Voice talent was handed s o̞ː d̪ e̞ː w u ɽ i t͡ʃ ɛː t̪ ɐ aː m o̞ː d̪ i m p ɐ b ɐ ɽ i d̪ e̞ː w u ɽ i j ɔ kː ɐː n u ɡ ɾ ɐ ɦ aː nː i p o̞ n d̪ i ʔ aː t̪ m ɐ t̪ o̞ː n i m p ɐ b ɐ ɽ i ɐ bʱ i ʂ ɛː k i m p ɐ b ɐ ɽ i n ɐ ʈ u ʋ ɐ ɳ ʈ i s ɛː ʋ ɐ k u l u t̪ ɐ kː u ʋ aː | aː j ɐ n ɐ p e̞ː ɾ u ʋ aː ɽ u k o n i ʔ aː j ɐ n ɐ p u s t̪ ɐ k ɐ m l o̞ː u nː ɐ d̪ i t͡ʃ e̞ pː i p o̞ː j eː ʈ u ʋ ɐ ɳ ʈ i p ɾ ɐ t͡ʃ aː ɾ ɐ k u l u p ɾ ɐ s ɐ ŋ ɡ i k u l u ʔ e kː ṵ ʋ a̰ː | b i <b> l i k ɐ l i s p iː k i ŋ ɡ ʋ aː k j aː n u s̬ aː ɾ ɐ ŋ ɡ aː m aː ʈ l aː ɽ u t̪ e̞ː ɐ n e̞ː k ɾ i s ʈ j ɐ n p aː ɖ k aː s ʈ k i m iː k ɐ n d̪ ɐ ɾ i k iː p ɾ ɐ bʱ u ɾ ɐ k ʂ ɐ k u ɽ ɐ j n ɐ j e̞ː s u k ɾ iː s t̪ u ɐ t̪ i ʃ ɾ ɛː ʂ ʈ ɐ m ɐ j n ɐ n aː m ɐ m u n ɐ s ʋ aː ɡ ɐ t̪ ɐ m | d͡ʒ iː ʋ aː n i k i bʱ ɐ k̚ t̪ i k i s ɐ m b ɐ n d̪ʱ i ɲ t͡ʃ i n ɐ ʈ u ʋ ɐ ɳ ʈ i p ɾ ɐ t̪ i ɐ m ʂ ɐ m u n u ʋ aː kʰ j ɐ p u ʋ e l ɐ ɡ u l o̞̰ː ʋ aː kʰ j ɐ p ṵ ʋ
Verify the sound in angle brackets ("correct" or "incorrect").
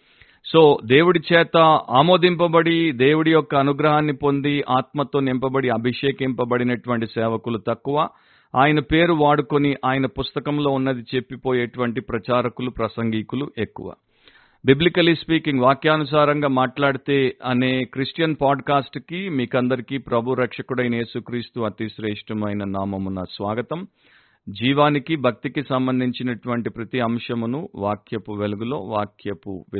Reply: correct